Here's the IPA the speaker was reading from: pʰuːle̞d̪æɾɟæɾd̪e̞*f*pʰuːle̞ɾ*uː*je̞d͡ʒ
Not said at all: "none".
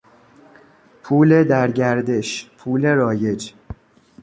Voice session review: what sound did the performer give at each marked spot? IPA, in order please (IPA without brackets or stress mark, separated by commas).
ʃ, ɒː